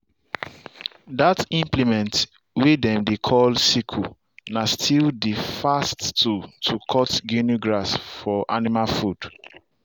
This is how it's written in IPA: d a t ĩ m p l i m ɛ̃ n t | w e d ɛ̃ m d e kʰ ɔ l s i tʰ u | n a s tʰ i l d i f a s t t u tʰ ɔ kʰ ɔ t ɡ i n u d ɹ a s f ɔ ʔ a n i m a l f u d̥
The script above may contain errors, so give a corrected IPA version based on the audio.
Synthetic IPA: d a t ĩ m p l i m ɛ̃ n t | w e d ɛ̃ m d e kʰ ɔ l s i kʰ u | n a s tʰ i l d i f a s t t u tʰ u kʰ ɔ t ɡ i n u ɡ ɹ a s f ɔ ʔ a n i m a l f u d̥